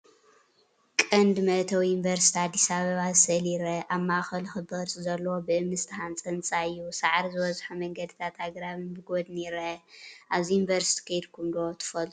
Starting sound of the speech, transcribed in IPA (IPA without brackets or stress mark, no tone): kʼ